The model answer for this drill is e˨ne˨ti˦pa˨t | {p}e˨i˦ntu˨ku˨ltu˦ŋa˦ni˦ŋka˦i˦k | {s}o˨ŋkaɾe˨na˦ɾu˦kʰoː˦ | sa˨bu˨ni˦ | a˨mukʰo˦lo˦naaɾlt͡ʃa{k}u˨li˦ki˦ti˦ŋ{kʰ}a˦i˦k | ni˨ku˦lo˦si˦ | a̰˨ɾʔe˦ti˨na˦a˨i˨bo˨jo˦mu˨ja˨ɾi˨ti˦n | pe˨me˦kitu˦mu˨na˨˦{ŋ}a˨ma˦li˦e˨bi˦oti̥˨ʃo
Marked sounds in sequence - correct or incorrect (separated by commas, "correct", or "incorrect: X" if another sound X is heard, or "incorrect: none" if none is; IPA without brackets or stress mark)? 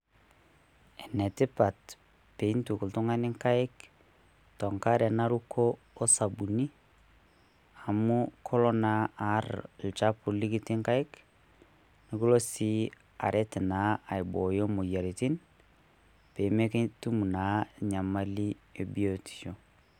correct, incorrect: t, incorrect: p, incorrect: k, incorrect: ɲ